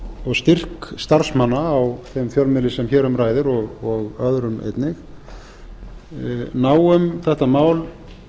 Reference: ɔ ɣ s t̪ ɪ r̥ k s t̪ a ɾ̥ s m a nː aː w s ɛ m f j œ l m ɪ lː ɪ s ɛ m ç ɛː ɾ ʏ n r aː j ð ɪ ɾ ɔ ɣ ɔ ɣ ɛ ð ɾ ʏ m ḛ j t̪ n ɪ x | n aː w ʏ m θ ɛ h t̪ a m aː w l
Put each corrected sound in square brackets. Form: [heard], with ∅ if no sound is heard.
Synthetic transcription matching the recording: ɔ ɣ s t̪ ɪ r̥ k s t̪ a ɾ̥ s m a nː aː w [θ] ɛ m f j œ l m ɪ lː ɪ s ɛ m ç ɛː ɾ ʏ [m] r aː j ð ɪ ɾ ɔ ɣ ɔ ɣ [œ] ð ɾ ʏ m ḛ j t̪ n ɪ x | n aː w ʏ m θ ɛ h t̪ a m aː w l

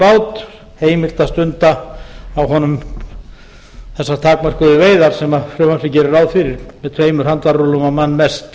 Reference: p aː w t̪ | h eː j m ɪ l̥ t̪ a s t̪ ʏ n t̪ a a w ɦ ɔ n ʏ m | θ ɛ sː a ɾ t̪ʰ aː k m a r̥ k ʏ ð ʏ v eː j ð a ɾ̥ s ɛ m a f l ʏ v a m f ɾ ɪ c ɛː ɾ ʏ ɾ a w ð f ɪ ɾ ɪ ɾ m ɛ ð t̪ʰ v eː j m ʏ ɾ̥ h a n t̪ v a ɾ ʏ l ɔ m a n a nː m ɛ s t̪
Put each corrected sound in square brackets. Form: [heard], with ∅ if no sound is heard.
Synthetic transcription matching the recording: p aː w t̪ | h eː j m ɪ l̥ t̪ a s t̪ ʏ n t̪ a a w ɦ ɔ n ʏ m | θ ɛ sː a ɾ t̪ʰ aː k m a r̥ k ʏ ð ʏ v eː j ð a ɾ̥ s ɛ m a f [ɾ] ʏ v a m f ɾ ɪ c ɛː ɾ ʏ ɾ a w ð f ɪ ɾ ɪ ɾ m ɛ ð t̪ʰ v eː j m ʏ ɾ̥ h a n t̪ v a ɾ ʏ l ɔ m a [m] a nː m ɛ s t̪

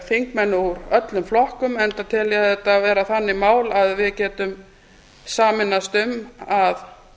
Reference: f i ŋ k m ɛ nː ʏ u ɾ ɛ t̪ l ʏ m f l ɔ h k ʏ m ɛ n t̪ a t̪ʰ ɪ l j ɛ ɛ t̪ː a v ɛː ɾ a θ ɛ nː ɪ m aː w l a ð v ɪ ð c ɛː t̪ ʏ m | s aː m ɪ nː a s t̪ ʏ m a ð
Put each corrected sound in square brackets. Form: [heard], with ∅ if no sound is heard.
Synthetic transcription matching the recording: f i ŋ k m ɛ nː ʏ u ɾ [œ] t̪ l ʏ m f l ɔ h k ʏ m ɛ n t̪ a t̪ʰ ɪ l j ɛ ɛ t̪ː a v ɛː ɾ a θ [a] nː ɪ m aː w l a ð v ɪ ð c ɛː t̪ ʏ m | s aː m ɪ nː a s t̪ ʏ m a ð

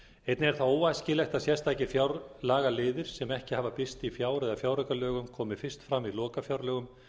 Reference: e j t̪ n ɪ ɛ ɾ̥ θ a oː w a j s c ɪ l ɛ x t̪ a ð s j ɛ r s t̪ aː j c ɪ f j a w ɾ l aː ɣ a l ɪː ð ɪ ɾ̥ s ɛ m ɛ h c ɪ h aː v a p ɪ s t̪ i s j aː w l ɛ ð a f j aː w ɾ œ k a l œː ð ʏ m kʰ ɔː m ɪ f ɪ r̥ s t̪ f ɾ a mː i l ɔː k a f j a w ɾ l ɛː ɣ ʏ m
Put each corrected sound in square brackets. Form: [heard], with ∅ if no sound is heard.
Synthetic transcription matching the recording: e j t̪ n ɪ ɛ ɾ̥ θ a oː w a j s c ɪ l ɛ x t̪ a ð s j ɛ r s t̪ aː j c ɪ f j a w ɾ l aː ɣ a l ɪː ð ɪ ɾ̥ s ɛ m ɛ h c ɪ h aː v a p ɪ s t̪ i [f] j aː w [ɾ] ɛ ð a f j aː w ɾ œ k a l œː [ɣ] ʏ m kʰ ɔː m ɪ f ɪ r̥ s t̪ f ɾ a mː i l ɔː k a f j a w ɾ l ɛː ɣ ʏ m

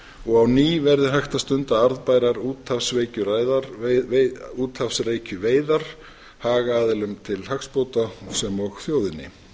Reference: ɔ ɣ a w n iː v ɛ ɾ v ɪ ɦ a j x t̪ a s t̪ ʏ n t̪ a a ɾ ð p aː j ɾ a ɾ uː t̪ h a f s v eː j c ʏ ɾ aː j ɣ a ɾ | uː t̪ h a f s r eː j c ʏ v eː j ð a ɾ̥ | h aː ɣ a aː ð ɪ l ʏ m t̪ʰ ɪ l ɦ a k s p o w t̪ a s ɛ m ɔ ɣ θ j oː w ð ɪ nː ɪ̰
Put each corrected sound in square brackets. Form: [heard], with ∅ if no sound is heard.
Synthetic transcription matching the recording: ɔ ɣ a w n iː v ɛ ɾ [ð] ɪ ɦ a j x t̪ a s t̪ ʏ n t̪ a a ɾ ð p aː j ɾ a ɾ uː t̪ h a f s v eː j c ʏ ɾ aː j [ð] a ɾ | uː t̪ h a f s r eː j c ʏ v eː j ð a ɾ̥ | h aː ɣ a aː ð ɪ l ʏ m t̪ʰ ɪ l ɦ a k s p o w t̪ a s ɛ m ɔ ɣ θ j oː w ð ɪ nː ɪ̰

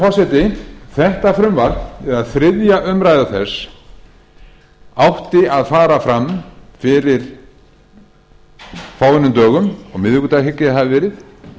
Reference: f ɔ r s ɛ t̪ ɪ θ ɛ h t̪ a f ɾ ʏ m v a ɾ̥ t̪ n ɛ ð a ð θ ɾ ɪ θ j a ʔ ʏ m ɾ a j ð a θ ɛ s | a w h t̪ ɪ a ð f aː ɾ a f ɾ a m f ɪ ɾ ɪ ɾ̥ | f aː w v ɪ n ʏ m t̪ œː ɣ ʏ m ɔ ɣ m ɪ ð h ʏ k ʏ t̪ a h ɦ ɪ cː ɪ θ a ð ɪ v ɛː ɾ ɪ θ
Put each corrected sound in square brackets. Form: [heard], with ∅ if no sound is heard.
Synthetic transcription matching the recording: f ɔ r s ɛ t̪ ɪ θ ɛ h t̪ a f ɾ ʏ m v a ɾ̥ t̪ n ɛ ð a ð θ ɾ ɪ [ð] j a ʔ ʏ m ɾ a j ð a θ ɛ s | a w h t̪ ɪ a ð f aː ɾ a f ɾ a m f ɪ ɾ ɪ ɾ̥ | f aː w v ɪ n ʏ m t̪ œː ɣ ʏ m ɔ ɣ m ɪ ð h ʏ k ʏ t̪ a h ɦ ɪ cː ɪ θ a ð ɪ v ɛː ɾ ɪ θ

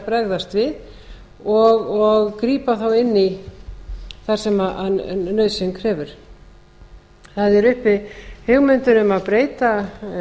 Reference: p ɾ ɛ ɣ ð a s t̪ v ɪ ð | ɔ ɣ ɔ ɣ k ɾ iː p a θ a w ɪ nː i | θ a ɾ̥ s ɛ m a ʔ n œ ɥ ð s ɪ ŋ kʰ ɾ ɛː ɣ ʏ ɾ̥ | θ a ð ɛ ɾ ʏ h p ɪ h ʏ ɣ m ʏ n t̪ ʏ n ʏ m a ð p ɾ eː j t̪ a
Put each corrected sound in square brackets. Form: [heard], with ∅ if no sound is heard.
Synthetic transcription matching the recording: p ɾ ɛ ɣ ð a s t̪ v ɪ ð | ɔ ɣ ɔ ɣ k ɾ iː p a θ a w ɪ nː i | θ a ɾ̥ s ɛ m a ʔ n œ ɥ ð s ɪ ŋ kʰ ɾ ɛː [v] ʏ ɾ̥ | θ a ð ɛ ɾ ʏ h p ɪ h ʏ ɣ m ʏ n t̪ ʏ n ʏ m a ð p ɾ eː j t̪ a

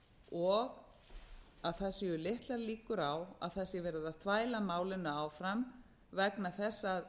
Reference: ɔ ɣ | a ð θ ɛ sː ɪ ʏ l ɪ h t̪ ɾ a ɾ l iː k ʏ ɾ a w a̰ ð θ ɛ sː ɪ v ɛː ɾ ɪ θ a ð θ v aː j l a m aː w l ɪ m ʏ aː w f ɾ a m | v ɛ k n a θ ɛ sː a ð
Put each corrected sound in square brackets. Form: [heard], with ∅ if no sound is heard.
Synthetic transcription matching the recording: ɔ ɣ | a ð θ ɛ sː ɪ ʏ l ɪ h t̪ [l] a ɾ l iː k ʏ ɾ a w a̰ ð θ ɛ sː ɪ v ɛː ɾ ɪ [ð] a ð θ v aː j l a m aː w l ɪ [n] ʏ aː w f ɾ a m | v ɛ k n a θ ɛ sː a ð

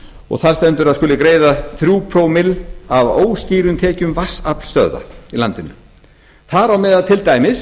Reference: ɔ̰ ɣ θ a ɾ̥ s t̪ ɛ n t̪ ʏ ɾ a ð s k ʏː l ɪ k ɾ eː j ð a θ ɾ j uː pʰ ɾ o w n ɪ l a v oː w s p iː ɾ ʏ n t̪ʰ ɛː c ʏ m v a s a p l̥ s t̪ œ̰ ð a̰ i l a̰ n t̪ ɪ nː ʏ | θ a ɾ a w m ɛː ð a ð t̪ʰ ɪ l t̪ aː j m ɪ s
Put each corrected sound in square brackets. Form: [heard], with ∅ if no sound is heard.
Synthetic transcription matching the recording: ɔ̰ ɣ θ a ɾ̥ s t̪ ɛ n t̪ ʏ ɾ a ð s k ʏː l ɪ k ɾ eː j ð a θ ɾ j uː pʰ ɾ o w [m] ɪ l a v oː w s [c] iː ɾ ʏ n t̪ʰ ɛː c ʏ m v a s a p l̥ s t̪ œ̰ ð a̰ i l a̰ n t̪ ɪ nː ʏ | θ a ɾ a w m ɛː ð a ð t̪ʰ ɪ l t̪ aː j m ɪ s

